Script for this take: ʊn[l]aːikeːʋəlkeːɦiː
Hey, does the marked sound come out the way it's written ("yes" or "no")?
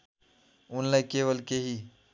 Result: yes